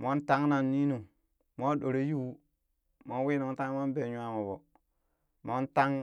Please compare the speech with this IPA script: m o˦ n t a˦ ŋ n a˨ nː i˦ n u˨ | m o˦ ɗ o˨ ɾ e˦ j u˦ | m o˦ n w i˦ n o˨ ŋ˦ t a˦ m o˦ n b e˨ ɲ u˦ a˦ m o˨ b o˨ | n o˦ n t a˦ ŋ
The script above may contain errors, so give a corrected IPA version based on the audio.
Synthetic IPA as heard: m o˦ n t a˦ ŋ n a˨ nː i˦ n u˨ | m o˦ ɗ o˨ ɾ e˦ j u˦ | m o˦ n w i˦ n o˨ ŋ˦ t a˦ m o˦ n b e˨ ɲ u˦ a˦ m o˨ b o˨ | m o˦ n t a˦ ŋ